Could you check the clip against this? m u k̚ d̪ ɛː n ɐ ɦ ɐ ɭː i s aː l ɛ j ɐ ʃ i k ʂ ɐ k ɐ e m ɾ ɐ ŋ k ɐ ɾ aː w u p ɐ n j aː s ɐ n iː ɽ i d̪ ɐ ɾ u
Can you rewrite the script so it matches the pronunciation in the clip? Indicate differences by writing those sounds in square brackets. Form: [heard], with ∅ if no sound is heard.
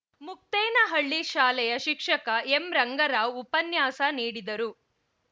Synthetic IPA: m u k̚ [t̪] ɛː n ɐ ɦ ɐ ɭː i [ʃ] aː l ɛ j ɐ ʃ i k ʂ ɐ k ɐ e m ɾ ɐ ŋ [ɡ] ɐ ɾ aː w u p ɐ n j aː s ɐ n iː ɽ i d̪ ɐ ɾ u